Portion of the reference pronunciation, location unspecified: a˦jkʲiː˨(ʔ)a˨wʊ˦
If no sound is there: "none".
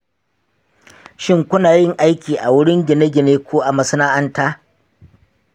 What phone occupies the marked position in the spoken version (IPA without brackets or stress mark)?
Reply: ʔ